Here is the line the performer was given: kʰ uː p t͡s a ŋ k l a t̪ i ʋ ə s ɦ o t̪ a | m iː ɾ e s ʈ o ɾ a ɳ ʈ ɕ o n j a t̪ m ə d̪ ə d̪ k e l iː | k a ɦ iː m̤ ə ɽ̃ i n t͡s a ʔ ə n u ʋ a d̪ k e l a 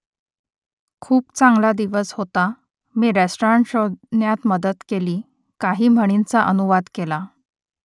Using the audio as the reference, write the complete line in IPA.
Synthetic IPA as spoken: kʰ uː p t͡s a ŋ ɡ l a d̪ i ʋ ə s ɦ o t̪ a | m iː ɾ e s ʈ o ɾ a ɳ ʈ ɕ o n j a t̪ m ə d̪ ə t̪ k e l iː | k a ɦ iː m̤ ə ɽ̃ i n t͡s a ʔ ə n u ʋ a d̪ k e l a